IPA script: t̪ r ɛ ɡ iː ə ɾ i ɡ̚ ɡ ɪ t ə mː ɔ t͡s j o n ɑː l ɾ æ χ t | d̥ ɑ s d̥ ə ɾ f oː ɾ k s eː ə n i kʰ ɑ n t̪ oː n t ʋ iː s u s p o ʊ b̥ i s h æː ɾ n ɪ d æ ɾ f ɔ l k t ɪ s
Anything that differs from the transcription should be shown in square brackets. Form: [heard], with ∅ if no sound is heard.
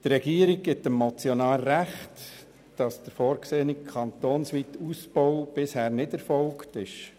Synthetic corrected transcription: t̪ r ɛ ɡ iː ə ɾ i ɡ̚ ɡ ɪ t ə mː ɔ t͡s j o n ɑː l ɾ æ χ t | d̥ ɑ s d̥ ə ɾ f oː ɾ k s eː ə n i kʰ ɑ n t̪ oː n [s] ʋ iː [t] u s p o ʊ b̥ [ɪ] s h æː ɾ n ɪ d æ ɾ f ɔ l k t ɪ [ʃ]